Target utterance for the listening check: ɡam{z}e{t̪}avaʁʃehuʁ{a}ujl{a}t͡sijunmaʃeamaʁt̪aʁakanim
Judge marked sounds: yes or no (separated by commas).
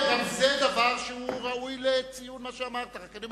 yes, no, yes, no